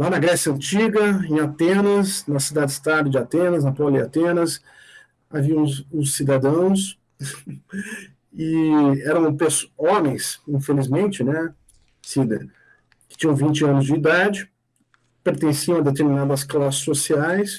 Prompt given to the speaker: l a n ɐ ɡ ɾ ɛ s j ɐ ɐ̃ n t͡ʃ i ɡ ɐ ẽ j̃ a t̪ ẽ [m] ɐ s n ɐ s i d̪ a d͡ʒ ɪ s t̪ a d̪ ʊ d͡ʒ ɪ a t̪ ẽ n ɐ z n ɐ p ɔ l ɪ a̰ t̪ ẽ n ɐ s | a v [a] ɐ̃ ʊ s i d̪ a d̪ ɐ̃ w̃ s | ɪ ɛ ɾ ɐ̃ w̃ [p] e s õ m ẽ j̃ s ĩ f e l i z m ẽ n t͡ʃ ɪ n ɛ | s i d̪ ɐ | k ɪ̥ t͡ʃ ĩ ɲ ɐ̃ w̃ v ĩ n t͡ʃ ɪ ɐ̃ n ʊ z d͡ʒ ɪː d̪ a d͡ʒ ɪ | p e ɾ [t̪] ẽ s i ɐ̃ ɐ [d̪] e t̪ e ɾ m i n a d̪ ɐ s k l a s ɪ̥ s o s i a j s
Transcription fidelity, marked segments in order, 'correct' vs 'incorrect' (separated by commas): incorrect, incorrect, correct, correct, correct